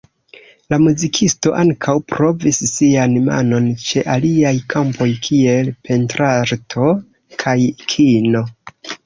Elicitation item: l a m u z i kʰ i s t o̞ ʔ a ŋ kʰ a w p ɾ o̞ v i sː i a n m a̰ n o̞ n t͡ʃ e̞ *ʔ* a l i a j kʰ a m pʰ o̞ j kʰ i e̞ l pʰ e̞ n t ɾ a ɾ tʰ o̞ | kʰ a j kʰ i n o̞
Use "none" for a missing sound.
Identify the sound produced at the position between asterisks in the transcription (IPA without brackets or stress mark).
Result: ʔ